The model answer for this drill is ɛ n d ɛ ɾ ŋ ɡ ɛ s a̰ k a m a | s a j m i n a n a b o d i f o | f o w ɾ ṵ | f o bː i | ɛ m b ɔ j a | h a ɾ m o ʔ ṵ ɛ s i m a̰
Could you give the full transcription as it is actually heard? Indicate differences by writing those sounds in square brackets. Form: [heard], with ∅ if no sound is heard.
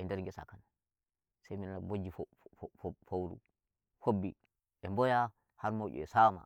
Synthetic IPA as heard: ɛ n d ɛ ɾ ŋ ɡ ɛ s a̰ k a [n] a | s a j m i n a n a b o [d͡ʒ] i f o | f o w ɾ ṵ | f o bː i | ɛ m b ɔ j a | h a ɾ m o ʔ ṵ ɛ s [a] m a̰